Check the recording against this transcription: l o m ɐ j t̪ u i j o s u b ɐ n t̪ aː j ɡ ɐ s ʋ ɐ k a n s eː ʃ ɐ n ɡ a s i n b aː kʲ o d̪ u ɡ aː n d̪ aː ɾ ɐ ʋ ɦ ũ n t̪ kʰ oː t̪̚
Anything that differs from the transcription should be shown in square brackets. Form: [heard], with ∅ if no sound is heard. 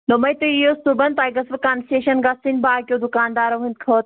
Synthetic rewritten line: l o m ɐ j t̪ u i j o s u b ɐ n t̪ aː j ɡ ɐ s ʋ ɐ k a n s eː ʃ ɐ n ɡ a s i n b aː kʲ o d̪ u [k] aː n d̪ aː ɾ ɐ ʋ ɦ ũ n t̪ kʰ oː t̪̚